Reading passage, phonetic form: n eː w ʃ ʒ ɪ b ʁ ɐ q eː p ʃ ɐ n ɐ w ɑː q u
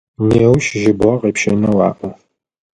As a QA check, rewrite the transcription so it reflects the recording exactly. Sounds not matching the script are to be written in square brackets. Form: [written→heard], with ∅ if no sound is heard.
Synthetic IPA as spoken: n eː w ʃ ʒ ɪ b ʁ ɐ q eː p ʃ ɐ n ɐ w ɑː [q→ʔ] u